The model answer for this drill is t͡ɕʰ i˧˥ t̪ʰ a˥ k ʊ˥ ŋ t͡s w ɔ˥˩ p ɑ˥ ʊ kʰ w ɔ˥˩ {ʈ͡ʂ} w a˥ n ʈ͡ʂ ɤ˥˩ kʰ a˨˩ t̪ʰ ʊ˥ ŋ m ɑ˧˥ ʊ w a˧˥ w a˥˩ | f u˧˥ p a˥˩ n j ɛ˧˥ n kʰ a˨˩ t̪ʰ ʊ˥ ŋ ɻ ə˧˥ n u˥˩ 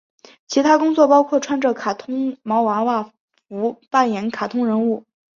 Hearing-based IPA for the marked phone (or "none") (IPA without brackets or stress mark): ʈ͡ʂʰ